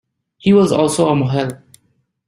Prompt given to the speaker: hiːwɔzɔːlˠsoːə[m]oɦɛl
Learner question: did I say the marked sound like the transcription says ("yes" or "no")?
yes